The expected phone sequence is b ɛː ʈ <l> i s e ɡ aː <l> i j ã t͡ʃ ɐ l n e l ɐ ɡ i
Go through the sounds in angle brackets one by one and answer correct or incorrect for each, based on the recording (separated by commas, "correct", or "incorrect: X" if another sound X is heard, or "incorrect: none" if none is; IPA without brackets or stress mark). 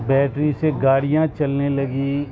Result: incorrect: ɾ, incorrect: ɽ